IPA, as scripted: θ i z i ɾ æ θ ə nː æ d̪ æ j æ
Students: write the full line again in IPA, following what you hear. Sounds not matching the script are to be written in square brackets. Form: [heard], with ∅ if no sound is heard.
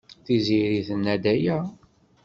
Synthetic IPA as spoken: θ i z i ɾ [i] θ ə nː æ d̪ æ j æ